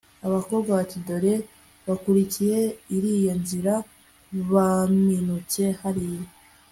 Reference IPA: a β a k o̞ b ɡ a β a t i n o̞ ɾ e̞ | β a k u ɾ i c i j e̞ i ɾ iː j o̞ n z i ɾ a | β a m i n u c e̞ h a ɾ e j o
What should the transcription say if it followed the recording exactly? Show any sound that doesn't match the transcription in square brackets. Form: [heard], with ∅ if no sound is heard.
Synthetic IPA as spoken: a β a k o̞ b ɡ a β a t i [d] o̞ ɾ e̞ | β a k u ɾ i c i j e̞ i ɾ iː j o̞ n z i ɾ a | β a m i n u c e̞ h a ɾ [i] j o